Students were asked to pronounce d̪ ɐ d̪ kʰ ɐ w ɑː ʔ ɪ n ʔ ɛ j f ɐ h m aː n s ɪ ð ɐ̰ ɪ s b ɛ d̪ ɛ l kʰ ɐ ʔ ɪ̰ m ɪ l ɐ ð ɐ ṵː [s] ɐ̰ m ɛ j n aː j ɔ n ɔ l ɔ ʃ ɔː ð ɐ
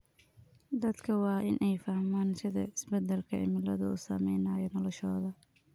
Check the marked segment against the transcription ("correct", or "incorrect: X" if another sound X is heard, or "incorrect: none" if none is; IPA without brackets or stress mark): correct